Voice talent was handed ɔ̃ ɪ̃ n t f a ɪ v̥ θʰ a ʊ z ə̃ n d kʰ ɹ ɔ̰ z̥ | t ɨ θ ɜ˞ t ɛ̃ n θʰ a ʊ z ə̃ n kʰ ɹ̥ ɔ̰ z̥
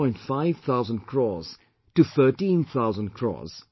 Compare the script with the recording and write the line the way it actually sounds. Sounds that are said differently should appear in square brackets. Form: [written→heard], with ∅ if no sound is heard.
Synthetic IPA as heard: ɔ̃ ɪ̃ n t f a ɪ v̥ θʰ a ʊ z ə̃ n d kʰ ɹ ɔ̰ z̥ | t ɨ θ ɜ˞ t [ɛ̃→ĩ] n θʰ a ʊ z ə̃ n kʰ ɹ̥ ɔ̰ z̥